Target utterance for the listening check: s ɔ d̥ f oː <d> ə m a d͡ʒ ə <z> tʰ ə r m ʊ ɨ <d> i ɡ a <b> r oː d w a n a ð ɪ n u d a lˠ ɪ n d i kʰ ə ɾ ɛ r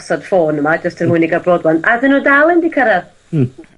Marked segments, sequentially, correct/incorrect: incorrect, incorrect, incorrect, correct

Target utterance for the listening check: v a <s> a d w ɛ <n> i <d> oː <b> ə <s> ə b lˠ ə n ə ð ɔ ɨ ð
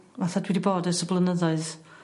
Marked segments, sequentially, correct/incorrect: incorrect, incorrect, incorrect, incorrect, correct

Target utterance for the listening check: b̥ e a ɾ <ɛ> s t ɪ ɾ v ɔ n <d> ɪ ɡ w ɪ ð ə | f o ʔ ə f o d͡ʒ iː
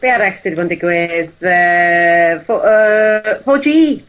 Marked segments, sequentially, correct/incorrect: correct, correct

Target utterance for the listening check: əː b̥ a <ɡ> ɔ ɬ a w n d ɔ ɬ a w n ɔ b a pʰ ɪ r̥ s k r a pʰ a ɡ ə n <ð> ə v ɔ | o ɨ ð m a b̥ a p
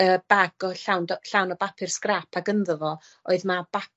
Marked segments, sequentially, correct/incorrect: correct, correct

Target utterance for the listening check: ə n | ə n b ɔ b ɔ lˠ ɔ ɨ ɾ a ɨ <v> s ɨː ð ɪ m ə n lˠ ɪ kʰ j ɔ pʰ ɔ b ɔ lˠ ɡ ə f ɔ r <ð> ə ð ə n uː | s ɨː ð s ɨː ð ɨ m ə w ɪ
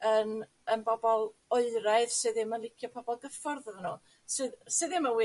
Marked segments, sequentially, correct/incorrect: incorrect, correct

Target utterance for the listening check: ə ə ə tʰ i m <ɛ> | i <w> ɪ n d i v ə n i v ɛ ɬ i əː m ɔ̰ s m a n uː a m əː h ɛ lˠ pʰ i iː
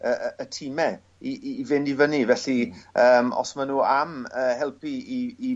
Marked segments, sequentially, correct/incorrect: correct, incorrect

